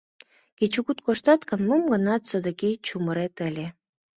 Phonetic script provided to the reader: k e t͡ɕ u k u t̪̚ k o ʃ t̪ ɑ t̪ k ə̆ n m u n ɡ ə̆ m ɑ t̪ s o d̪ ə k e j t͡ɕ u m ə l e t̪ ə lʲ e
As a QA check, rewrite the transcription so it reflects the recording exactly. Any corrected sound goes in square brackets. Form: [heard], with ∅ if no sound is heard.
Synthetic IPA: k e t͡ɕ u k u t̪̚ k o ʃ t̪ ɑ t̪ k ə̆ n m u [m] ɡ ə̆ [n] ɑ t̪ s o d̪ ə k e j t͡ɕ u m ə [ɾ] e t̪ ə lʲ e